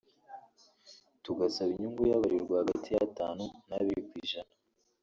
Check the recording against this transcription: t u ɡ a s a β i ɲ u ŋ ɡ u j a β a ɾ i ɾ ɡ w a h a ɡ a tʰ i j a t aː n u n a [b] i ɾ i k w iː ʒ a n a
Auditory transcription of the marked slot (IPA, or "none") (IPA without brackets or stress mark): β